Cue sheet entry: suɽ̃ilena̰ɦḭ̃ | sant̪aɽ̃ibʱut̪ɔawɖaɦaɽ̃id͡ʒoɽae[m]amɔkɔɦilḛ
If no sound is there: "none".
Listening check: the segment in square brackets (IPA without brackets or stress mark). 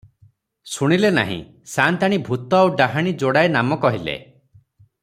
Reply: n